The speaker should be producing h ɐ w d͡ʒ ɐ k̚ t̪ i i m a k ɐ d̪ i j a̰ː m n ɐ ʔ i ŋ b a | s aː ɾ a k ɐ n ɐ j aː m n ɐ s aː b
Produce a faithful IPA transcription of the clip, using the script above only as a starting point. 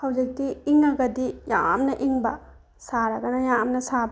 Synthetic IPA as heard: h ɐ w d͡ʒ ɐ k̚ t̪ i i ŋ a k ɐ d̪ i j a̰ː m n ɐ ʔ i ŋ b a | s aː ɾ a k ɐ n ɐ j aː m n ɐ s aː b